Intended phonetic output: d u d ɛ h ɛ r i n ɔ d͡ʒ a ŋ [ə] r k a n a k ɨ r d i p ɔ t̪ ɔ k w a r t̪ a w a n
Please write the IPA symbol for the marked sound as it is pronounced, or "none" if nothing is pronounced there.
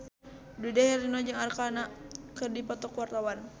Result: a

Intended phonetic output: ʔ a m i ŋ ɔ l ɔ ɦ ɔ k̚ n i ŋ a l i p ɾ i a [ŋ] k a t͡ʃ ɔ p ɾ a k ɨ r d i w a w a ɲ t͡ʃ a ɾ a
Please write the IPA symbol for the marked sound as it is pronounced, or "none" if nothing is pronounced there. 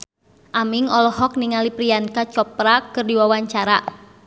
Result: n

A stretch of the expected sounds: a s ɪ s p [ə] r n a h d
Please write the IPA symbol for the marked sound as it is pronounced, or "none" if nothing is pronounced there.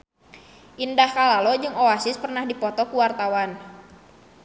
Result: ə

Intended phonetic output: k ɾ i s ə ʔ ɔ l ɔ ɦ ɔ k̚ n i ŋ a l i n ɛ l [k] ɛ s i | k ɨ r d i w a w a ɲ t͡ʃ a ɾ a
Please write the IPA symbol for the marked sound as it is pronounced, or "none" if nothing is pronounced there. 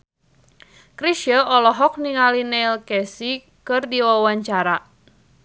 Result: k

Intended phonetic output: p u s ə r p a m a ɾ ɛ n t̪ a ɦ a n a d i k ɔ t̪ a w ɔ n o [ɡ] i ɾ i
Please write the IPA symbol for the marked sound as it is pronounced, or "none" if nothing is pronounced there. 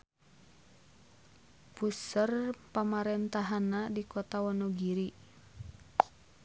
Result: ɡ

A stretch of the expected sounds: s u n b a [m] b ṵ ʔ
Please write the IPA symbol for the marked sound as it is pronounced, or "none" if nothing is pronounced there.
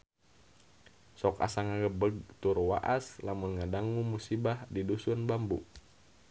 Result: m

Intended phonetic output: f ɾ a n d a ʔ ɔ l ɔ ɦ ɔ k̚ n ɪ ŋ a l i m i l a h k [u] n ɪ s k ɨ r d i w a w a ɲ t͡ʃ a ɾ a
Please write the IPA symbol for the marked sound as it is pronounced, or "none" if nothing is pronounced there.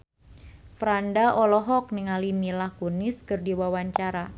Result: u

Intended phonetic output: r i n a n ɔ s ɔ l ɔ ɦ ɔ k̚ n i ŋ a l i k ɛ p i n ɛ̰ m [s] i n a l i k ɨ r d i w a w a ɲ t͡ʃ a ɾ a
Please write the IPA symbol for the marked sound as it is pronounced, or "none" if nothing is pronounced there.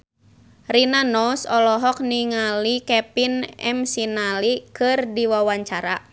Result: s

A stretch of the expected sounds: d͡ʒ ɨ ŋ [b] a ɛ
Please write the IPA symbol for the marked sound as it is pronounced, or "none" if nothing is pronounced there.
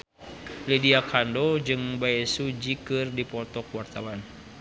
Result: b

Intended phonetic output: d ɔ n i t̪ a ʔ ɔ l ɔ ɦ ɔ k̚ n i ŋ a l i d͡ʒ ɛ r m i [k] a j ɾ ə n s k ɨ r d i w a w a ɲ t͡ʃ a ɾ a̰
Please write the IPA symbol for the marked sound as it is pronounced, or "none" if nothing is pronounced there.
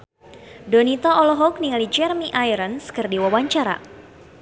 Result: ʔ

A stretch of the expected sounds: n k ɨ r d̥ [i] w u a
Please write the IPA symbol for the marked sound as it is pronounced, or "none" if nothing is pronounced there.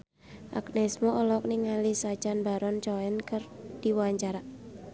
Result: i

